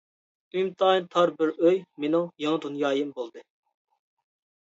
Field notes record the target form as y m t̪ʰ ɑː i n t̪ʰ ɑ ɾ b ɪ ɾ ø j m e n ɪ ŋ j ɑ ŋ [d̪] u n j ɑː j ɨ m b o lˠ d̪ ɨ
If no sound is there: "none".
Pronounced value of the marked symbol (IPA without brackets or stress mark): d̪